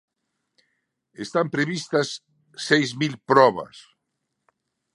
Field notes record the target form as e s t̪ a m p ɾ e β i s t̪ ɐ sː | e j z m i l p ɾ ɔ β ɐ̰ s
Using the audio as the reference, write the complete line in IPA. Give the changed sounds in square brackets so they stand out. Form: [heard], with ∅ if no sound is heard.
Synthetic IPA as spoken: e s t̪ a m p ɾ e β i s t̪ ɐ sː | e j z m i l p ɾ ɔ β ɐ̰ s